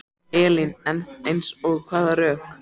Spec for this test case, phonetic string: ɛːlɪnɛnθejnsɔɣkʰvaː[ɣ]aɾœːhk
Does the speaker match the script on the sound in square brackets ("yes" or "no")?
no